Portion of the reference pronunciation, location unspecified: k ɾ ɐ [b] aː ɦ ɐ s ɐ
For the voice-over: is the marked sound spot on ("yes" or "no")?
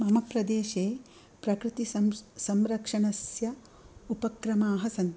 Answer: no